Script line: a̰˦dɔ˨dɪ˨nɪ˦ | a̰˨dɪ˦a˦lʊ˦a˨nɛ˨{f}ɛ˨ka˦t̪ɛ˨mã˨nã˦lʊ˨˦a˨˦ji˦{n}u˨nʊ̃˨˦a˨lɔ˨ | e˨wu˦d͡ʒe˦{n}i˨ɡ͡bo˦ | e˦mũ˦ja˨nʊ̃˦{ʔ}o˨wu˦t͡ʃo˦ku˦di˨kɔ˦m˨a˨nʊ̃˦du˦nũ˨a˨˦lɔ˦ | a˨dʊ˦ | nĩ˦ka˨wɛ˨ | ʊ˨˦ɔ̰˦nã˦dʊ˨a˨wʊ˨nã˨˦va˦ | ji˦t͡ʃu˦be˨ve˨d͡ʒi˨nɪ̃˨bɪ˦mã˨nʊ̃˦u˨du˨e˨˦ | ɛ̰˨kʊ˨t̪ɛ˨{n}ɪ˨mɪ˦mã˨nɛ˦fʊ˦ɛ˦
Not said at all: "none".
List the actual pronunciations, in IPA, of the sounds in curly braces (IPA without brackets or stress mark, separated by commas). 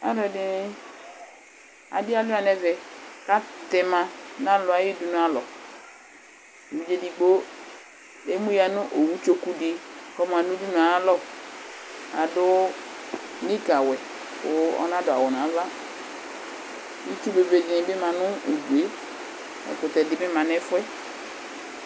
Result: v, d, d, ʔ, d